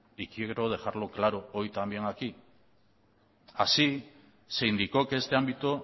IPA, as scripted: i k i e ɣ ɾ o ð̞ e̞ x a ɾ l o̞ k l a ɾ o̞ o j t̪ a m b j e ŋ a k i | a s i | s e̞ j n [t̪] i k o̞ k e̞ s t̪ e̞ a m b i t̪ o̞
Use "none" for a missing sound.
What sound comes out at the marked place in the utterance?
d̪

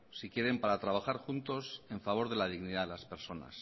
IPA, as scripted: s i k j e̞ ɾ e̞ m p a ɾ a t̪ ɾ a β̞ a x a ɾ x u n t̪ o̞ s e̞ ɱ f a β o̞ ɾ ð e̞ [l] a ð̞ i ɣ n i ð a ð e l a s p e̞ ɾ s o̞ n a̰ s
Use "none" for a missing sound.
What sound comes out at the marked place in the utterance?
l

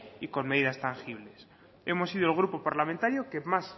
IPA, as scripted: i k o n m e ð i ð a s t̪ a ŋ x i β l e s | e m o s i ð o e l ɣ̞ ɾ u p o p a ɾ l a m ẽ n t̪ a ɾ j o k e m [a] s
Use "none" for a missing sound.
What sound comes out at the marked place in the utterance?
a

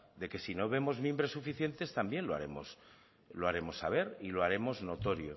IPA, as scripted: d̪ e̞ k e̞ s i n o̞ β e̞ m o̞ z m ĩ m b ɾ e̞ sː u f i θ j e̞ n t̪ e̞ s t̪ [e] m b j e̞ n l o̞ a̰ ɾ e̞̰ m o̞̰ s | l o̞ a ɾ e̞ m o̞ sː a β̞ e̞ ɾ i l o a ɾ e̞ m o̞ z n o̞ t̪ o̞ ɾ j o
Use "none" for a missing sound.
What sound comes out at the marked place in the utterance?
a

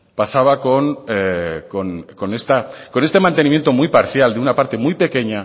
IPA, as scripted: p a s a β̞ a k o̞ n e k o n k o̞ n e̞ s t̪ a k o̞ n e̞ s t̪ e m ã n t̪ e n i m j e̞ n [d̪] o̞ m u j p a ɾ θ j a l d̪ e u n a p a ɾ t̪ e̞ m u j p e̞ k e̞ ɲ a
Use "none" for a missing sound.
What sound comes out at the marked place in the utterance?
t̪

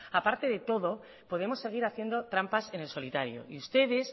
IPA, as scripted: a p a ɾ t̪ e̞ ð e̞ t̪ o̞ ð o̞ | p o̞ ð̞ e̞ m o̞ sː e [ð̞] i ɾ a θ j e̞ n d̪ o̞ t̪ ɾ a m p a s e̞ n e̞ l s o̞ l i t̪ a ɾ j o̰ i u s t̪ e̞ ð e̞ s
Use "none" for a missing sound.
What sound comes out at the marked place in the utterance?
ɣ̞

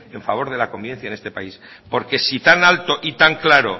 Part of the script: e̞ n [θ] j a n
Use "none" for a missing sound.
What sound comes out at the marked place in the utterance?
θ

